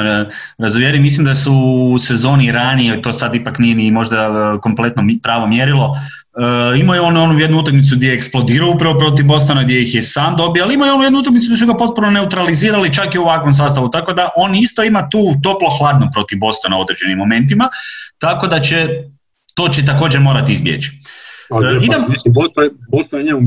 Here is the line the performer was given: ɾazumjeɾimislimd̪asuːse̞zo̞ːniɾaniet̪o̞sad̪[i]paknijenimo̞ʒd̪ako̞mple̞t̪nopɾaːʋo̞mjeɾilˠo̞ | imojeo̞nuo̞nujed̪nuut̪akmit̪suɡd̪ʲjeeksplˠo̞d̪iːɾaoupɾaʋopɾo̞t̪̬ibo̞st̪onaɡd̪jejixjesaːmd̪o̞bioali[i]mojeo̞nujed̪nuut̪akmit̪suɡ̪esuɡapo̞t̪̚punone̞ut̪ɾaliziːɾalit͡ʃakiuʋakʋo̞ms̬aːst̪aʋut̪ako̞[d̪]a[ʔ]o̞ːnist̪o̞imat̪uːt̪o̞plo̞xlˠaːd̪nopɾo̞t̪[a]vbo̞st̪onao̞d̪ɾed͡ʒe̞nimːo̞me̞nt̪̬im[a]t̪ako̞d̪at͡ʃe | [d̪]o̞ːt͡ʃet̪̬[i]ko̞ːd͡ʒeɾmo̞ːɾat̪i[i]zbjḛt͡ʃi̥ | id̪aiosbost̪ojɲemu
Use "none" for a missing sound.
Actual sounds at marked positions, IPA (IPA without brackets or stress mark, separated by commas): i, i, d̪, ʔ, i, a, t̪, a, i